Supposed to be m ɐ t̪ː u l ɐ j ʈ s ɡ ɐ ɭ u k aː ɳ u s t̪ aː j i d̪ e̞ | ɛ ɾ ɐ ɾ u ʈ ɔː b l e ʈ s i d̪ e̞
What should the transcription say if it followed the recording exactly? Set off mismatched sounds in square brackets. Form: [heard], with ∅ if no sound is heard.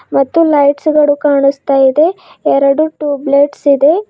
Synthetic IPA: m ɐ t̪ː u l ɐ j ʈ s ɡ ɐ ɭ u k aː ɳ u s t̪ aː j i d̪ e̞ | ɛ ɾ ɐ [ɽ] u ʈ [uː] b l e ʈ s i d̪ e̞